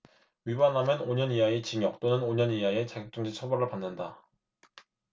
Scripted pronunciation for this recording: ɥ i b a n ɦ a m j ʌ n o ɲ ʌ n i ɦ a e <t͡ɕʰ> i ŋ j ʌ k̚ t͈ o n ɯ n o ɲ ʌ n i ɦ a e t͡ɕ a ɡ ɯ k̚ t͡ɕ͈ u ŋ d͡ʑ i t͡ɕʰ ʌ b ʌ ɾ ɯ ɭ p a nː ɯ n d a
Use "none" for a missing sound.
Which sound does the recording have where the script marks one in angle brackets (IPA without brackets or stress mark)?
t͡ɕ